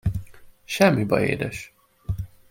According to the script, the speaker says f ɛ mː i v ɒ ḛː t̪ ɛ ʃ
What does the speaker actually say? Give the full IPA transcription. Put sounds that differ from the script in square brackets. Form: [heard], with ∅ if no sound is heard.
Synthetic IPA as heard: [ʃ] ɛ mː i [b] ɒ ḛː [d̪] ɛ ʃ